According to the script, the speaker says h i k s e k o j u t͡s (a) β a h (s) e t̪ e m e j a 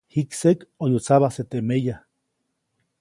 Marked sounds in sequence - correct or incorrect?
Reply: correct, correct

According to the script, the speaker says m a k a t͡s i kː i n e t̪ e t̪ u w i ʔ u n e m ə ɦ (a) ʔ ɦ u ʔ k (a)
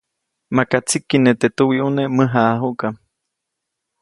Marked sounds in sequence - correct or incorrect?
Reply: correct, correct

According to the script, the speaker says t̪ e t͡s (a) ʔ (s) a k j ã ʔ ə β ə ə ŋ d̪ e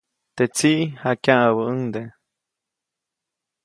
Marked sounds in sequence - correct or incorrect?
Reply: incorrect: i, incorrect: h

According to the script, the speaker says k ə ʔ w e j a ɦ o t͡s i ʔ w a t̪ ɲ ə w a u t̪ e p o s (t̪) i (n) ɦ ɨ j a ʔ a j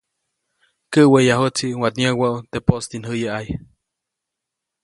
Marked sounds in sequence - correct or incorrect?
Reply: correct, correct

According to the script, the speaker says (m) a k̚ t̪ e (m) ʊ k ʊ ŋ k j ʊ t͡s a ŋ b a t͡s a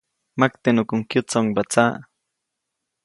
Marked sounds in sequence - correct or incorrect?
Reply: correct, incorrect: n

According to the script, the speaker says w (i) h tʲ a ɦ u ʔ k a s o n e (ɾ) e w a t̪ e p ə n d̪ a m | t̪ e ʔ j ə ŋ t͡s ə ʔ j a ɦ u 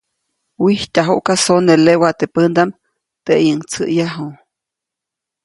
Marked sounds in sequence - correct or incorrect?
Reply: correct, incorrect: l

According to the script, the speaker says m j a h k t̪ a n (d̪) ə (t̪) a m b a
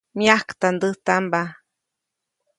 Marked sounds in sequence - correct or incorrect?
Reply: correct, correct

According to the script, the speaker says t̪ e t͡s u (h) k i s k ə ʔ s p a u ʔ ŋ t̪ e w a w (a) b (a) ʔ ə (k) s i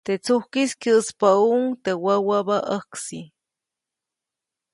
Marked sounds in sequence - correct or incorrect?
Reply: correct, correct, correct, correct

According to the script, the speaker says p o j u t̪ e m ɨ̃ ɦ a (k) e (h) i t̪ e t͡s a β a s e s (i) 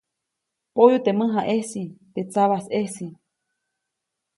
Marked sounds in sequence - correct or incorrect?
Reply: incorrect: ʔ, incorrect: s, correct

